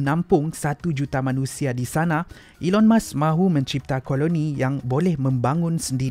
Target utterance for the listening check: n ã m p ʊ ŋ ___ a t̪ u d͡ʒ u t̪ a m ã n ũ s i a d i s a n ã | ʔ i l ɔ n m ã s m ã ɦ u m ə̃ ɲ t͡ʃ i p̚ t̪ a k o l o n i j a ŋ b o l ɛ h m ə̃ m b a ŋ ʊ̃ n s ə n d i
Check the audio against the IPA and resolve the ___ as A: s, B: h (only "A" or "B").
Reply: A